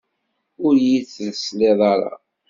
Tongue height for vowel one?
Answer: high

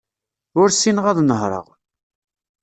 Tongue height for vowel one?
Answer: high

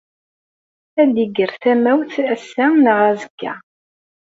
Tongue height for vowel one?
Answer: low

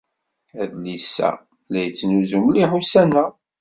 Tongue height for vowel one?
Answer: low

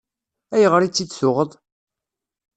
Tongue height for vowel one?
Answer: low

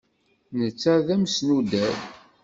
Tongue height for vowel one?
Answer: mid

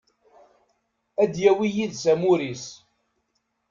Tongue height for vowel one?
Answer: low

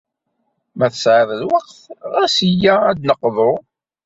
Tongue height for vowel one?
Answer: low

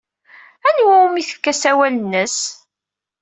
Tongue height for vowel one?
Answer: low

